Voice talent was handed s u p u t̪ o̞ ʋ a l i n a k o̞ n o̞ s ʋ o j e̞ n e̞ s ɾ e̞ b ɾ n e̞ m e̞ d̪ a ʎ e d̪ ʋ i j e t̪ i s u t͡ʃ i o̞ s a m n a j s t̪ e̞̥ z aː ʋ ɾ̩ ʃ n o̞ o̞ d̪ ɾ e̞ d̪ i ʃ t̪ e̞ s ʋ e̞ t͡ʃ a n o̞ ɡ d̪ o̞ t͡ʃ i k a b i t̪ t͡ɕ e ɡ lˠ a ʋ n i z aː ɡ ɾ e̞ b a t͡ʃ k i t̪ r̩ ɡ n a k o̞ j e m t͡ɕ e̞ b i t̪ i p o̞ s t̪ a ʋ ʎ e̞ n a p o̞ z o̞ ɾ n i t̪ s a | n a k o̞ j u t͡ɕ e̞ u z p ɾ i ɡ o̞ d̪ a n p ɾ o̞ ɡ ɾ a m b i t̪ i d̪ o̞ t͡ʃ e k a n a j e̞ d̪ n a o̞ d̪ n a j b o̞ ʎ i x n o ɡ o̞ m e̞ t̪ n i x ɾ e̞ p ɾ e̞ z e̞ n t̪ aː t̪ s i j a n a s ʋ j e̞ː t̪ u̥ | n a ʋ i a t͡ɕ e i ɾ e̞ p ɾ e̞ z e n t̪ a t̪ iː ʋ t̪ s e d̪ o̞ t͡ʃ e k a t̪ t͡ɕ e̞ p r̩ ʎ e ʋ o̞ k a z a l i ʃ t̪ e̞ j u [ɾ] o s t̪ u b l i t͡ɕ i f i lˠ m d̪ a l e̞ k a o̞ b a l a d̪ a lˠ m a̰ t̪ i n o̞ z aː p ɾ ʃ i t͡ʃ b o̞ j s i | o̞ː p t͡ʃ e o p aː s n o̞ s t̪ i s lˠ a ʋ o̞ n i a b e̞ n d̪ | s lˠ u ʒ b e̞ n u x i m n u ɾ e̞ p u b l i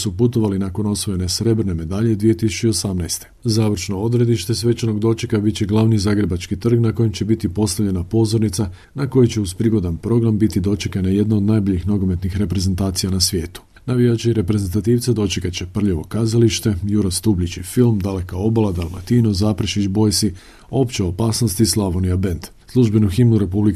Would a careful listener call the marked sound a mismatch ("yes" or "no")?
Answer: no